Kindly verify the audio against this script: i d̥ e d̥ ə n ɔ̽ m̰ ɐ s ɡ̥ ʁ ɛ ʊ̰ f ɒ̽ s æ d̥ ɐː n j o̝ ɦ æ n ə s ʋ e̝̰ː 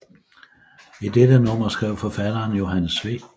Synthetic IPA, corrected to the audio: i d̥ e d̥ ə n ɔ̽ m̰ ɐ s ɡ̥ ʁ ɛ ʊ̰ f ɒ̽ f æ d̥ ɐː n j o̝ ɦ æ n ə s ʋ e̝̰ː